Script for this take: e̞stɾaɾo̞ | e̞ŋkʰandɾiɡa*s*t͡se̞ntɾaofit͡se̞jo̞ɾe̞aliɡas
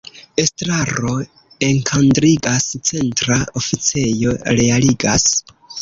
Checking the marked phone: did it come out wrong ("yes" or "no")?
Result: no